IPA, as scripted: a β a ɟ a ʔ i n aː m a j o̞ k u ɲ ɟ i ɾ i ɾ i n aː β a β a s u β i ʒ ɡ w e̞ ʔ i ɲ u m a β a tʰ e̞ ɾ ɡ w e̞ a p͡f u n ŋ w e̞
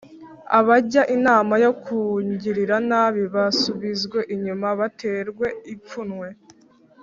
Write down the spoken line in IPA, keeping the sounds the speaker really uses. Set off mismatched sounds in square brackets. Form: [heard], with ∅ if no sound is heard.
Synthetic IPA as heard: a β a ɟ a ʔ i n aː m a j o̞ k u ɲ ɟ i ɾ i ɾ [a] n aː β [i] β a s u β i [z] ɡ w e̞ ʔ i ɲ u m a β a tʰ e̞ ɾ ɡ w e̞ [i] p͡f u n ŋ w e̞